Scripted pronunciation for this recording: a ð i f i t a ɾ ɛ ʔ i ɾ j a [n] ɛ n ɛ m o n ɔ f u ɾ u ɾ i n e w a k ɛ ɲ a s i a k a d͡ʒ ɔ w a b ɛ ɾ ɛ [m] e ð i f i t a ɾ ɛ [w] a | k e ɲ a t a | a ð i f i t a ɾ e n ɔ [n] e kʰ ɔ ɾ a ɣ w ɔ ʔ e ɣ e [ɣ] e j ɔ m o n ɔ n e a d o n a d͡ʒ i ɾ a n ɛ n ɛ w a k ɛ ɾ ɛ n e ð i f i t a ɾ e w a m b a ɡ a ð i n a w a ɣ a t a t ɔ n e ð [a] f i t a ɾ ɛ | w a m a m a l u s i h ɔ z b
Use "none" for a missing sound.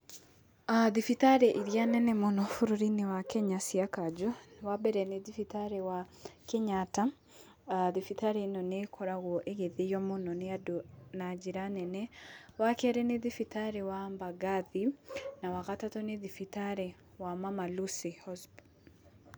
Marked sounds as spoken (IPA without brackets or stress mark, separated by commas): n, n, w, n, ð, i